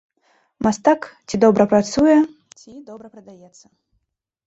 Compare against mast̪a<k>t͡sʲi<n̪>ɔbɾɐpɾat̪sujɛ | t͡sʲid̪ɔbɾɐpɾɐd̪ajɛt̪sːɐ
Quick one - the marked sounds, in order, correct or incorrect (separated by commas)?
correct, incorrect